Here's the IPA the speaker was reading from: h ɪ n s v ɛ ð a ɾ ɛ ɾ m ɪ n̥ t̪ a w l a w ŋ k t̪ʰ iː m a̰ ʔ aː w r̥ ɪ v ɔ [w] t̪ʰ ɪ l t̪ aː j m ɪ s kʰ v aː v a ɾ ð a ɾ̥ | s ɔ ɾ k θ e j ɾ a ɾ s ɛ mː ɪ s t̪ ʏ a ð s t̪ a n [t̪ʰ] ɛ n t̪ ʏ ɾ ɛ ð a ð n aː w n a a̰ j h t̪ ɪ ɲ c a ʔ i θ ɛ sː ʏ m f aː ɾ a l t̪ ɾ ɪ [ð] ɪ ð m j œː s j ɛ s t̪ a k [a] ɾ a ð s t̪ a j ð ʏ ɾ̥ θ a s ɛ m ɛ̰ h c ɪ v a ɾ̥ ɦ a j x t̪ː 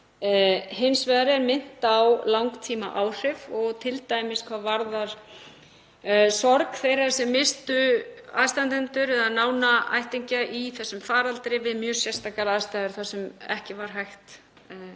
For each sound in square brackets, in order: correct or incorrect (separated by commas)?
incorrect, incorrect, incorrect, correct